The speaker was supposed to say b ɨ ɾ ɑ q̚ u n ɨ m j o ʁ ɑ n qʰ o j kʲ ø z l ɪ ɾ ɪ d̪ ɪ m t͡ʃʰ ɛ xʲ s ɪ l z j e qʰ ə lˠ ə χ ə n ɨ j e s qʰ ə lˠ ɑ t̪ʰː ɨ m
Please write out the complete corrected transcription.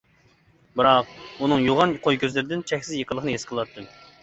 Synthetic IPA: b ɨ ɾ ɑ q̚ u n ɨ ŋ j o ʁ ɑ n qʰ o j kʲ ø z l ɪ ɾ ɪ d̪ ɪ n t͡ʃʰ ɛ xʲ s ɪ z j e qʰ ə lˠ ə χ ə n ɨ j e s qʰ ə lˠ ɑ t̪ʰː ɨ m